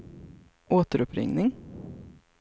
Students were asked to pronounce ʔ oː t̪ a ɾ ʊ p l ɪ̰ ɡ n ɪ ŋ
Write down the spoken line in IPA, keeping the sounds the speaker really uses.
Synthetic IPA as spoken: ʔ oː t̪ ə ɾ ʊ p ɾ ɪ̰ ŋ n ɪ ŋ